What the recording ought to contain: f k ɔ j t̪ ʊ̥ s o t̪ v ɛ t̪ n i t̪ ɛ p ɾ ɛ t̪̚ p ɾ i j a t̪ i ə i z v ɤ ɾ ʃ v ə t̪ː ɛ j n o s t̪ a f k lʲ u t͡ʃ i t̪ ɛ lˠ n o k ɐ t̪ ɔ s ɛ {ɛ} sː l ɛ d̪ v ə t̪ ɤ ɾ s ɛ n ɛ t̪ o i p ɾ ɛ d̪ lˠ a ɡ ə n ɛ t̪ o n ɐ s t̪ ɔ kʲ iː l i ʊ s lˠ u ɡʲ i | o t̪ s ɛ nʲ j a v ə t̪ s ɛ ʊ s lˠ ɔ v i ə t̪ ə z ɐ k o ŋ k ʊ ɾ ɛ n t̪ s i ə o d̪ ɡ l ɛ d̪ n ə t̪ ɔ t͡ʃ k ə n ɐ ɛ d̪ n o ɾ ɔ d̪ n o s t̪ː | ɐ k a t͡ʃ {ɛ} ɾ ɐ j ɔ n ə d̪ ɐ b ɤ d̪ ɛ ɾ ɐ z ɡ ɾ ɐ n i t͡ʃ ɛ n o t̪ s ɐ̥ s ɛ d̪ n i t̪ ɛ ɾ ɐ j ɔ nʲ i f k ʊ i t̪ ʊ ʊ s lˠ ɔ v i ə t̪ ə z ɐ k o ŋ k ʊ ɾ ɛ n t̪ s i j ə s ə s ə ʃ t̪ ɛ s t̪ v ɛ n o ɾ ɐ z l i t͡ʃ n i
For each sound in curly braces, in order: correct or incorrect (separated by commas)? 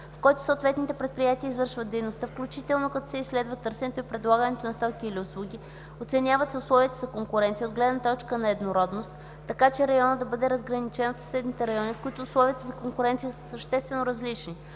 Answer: incorrect, correct